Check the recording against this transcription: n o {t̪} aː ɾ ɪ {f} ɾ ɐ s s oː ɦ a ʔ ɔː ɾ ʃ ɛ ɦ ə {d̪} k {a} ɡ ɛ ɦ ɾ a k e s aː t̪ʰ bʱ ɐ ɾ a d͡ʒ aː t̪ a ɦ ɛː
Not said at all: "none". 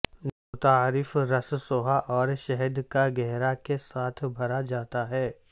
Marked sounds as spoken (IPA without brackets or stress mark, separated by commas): t̪, f, d̪, a